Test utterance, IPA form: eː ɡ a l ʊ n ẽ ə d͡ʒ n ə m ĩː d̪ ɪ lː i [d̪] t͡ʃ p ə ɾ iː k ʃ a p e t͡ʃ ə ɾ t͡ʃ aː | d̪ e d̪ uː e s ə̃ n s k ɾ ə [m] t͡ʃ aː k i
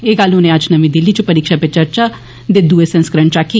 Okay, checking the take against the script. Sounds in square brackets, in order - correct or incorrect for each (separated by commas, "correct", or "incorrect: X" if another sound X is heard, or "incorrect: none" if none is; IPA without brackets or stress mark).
incorrect: none, incorrect: ɳ